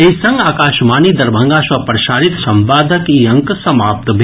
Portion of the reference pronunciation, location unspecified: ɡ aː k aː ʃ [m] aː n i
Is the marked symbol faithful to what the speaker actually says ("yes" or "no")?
yes